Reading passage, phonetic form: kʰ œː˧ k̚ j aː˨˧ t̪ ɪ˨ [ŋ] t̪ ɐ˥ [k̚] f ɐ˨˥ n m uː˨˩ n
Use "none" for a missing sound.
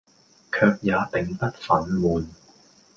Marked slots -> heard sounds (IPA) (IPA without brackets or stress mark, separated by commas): ŋ, t̚